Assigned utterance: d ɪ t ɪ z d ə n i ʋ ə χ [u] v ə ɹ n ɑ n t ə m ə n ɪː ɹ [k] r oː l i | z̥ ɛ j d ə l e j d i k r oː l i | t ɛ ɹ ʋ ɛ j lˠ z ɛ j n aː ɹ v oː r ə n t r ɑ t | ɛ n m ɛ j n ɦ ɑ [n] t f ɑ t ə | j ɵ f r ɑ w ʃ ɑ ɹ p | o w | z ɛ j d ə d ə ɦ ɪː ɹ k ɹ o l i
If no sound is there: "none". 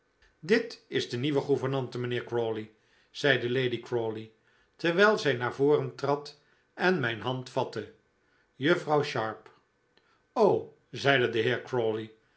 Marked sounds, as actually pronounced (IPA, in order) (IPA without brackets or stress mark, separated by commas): u, k, n